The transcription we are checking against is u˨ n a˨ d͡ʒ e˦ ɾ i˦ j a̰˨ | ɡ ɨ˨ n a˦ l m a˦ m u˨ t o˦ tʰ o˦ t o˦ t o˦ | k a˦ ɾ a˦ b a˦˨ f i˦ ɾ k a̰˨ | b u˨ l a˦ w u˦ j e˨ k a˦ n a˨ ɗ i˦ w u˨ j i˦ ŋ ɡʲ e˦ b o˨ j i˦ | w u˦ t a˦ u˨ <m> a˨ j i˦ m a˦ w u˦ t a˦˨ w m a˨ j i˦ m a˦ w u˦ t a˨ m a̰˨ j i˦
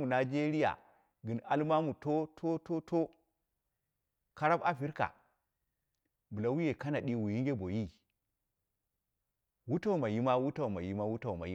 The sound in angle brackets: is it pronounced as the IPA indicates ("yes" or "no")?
yes